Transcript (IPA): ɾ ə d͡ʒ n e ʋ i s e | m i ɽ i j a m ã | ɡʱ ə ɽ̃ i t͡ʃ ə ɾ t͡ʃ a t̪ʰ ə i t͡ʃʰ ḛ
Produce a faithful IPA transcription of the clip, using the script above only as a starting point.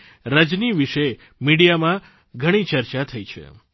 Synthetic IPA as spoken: ɾ ə d͡ʒ n i ʋ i ʃ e | m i ɽ i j a m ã | ɡʱ ə ɽ̃ i t͡ʃ ə ɾ t͡ʃ a t̪ʰ ə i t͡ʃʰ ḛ

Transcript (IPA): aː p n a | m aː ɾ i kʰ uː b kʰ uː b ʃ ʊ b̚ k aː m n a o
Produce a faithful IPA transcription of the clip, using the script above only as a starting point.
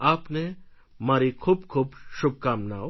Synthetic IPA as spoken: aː p n e | m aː ɾ i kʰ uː b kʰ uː b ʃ ʊ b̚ k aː m n a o

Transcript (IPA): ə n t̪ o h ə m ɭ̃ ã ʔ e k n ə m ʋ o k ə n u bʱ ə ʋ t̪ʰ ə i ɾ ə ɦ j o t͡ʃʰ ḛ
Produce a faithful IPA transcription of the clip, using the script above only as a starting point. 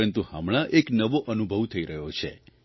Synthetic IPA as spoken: ə n t̪ u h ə m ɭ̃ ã ʔ e k n ə ʋ o ʔ ə n u bʱ ə ʋ t̪ʰ ə i ɾ ə ɦ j o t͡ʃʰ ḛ

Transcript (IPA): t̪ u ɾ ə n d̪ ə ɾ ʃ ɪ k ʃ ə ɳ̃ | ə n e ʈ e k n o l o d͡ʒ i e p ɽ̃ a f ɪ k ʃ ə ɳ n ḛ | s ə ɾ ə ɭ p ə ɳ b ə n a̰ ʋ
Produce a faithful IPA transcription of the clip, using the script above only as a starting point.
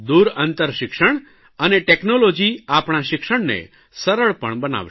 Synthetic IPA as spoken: d̪ u ɾ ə n t̪ ə ɾ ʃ ɪ k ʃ ə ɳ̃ | ə n e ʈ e k n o l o d͡ʒ i a p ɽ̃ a ʃ ɪ k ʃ ə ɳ n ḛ | s ə ɾ ə ɭ p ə ɳ b ə n a̰ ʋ

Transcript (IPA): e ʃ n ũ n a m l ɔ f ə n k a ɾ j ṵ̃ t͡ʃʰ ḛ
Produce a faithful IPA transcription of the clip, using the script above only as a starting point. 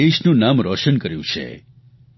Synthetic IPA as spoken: e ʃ n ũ n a m ɾ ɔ ʃ ə n k ə ɾ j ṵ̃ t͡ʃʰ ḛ

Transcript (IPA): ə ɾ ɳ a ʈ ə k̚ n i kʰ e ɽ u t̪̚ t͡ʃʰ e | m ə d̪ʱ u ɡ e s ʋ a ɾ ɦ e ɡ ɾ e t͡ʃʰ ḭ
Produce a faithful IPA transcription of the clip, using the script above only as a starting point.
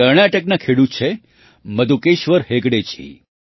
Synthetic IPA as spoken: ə ɾ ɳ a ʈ ə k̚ n a kʰ e ɽ u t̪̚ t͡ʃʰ e | m ə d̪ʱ u k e ʃ ʋ ə ɾ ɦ e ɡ ɽ e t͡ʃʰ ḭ

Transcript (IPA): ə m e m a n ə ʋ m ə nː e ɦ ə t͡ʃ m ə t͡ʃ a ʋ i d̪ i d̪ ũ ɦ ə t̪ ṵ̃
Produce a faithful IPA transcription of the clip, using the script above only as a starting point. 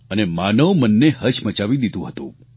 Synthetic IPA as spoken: ə n e m a n ə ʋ m ə nː e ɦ ə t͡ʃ m ə t͡ʃ a ʋ i d̪ i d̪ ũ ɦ ə t̪ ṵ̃

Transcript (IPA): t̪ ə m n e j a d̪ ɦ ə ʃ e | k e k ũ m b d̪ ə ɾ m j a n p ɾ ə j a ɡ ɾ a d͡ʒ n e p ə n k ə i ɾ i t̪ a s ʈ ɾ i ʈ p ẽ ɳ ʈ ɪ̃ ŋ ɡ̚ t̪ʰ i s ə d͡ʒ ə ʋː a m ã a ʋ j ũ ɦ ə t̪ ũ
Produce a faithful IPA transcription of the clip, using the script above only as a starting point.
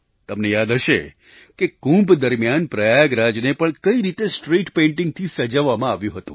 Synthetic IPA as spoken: t̪ ə m n e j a d̪ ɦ ə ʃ e | k e k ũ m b d̪ ə ɾ m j a n p ɾ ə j a ɡ ɾ a d͡ʒ n e p ə ɳ k ə i ɾ i t̪ e s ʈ ɾ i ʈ p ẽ ɳ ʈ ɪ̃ ŋ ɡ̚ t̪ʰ i s ə d͡ʒ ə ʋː a m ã a ʋ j ũ ɦ ə t̪ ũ

